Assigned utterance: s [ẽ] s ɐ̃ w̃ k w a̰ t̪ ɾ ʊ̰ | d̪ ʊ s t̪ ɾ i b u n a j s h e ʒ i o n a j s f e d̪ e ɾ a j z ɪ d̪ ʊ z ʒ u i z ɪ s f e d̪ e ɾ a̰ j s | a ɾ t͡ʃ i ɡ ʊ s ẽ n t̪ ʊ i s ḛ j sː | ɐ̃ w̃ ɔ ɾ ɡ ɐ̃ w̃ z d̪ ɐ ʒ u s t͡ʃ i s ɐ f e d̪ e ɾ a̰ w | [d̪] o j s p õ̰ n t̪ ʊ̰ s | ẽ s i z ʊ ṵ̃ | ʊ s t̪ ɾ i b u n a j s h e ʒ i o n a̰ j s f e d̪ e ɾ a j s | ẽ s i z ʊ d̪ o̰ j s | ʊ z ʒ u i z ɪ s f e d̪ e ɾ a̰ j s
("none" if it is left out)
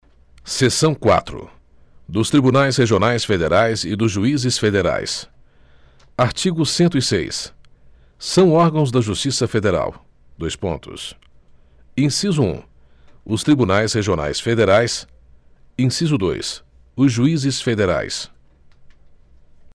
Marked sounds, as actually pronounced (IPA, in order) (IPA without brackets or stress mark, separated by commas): e, d̪